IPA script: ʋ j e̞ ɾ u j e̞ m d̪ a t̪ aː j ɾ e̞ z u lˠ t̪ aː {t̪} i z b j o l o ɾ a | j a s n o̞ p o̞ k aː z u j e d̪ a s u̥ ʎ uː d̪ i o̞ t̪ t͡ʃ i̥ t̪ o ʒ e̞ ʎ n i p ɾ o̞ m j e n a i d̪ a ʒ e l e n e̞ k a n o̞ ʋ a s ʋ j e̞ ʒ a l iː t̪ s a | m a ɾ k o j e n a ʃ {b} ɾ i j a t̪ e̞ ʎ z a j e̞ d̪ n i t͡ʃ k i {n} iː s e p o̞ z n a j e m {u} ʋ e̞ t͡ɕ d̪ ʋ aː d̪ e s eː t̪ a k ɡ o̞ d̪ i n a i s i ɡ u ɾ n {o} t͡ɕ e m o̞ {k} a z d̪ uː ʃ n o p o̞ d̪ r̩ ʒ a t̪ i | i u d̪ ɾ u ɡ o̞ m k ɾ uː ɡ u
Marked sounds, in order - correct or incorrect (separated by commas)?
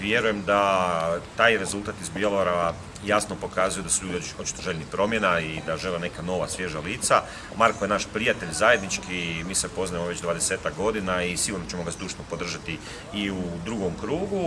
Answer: correct, incorrect, incorrect, incorrect, correct, incorrect